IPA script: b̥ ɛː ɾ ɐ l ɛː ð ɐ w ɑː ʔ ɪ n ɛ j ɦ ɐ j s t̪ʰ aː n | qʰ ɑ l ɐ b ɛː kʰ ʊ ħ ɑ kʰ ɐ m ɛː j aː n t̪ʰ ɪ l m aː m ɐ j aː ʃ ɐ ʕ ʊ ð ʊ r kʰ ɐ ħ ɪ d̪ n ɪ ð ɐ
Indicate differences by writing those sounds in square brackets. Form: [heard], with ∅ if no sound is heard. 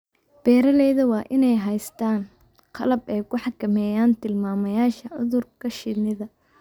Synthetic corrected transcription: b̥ ɛː ɾ ɐ l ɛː ð ɐ w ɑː ʔ ɪ n ɛ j ɦ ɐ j s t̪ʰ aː n | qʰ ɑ l ɐ b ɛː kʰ ʊ ħ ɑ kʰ ɐ m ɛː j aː n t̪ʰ ɪ l m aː m ɐ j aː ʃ ɐ ʕ ʊ ð ʊ r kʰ ɐ [ʃ] ɪ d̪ n ɪ ð ɐ